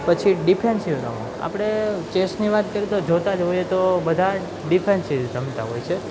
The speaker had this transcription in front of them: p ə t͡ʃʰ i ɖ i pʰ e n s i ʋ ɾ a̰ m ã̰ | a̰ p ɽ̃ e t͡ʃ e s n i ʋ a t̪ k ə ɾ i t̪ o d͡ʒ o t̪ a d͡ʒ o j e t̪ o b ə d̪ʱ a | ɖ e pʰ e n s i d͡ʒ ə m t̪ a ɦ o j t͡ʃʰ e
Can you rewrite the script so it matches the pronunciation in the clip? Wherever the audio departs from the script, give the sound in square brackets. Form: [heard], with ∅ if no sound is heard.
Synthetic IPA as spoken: p ə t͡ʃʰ i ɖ i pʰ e n s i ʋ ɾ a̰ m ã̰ | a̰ p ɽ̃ e t͡ʃ e s n i ʋ a t̪ k ə ɾ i t̪ o d͡ʒ o t̪ a d͡ʒ o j e t̪ o b ə d̪ʱ a | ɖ [i] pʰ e n s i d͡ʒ ə m t̪ a ɦ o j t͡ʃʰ e